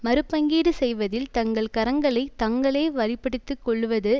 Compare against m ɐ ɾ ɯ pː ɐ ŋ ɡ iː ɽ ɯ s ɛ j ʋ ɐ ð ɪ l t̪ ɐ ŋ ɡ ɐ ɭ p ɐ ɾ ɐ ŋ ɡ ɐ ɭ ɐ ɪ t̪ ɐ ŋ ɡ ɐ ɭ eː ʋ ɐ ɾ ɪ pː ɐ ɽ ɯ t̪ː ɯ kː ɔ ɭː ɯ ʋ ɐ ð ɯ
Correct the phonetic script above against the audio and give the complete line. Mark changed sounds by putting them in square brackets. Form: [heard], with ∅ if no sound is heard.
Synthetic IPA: m ɐ ɾ ɯ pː ɐ ŋ ɡ iː ɽ ɯ s ɛ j ʋ ɐ ð ɪ l t̪ ɐ ŋ ɡ ɐ ɭ [k] ɐ ɾ ɐ ŋ ɡ ɐ ɭ ɐ ɪ t̪ ɐ ŋ ɡ ɐ ɭ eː ʋ ɐ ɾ ɪ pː ɐ ɽ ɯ t̪ː ɯ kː ɔ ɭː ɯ ʋ ɐ ð ɯ